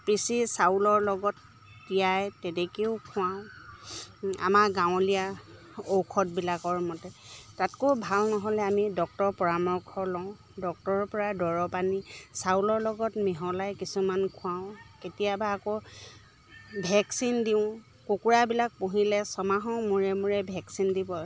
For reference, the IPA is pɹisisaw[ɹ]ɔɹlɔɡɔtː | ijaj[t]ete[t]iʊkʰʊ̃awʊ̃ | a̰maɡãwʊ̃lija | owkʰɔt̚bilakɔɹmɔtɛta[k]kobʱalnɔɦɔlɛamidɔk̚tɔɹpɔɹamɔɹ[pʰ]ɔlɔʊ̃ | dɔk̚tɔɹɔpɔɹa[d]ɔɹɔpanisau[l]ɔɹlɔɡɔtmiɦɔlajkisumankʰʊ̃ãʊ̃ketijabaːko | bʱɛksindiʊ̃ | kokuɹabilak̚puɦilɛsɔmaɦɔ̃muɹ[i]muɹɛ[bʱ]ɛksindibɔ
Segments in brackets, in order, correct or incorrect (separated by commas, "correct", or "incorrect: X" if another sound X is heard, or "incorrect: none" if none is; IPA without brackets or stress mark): incorrect: l, correct, incorrect: k, incorrect: t, incorrect: kʰ, correct, correct, incorrect: ɛ, correct